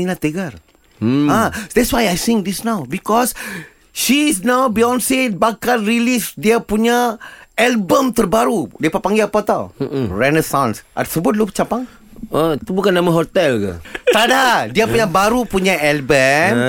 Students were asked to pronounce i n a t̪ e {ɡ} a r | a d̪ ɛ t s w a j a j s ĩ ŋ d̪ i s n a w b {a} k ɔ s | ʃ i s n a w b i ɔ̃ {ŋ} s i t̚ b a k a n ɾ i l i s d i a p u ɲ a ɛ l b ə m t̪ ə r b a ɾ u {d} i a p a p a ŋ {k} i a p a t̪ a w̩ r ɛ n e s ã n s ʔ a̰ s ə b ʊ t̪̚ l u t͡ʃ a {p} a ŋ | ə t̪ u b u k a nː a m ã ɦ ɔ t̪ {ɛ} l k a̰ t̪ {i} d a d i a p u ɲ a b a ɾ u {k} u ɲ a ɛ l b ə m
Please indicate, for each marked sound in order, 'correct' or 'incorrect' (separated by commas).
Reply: correct, incorrect, incorrect, correct, incorrect, correct, correct, incorrect, incorrect